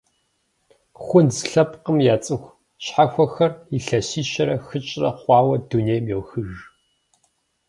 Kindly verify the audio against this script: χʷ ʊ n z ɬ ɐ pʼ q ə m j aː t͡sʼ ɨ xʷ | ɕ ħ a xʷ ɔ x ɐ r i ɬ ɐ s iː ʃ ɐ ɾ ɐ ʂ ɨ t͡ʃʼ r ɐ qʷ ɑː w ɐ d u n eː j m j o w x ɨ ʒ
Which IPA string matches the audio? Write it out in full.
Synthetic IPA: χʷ ʊ n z ɬ ɐ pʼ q ə m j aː t͡sʼ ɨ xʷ | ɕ ħ a xʷ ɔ x ɐ r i ɬ ɐ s iː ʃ ɐ ɾ ɐ x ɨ t͡ʃʼ r ɐ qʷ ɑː w ɐ d u n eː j m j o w x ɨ ʒ